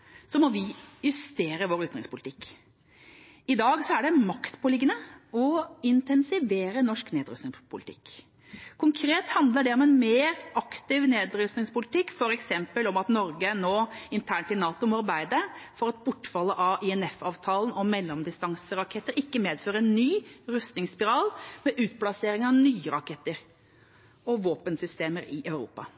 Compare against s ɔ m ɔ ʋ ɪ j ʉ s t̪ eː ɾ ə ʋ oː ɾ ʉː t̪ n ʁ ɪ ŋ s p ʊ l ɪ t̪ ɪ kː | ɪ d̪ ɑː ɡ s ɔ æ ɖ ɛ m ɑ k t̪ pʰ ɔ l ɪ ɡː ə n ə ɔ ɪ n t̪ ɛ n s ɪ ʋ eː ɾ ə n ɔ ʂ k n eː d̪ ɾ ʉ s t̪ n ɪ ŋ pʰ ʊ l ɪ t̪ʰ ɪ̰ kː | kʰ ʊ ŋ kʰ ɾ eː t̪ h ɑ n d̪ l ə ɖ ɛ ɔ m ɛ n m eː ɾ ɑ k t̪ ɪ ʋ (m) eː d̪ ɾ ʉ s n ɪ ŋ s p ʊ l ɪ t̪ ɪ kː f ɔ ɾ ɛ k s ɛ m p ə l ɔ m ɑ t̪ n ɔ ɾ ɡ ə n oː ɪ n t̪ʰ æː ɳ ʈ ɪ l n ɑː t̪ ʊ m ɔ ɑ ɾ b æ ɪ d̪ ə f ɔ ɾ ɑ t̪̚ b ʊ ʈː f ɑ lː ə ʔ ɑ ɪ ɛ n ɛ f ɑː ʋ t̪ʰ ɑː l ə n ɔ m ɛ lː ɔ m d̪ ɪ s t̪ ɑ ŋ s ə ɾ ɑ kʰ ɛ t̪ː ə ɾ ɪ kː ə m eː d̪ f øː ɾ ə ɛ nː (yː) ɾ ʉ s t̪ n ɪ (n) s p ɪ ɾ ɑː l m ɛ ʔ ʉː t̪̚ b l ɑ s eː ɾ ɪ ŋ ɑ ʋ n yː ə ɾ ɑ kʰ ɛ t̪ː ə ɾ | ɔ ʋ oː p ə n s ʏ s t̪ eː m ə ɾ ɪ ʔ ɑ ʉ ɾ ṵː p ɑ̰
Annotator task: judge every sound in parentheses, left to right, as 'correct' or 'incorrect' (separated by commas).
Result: incorrect, correct, incorrect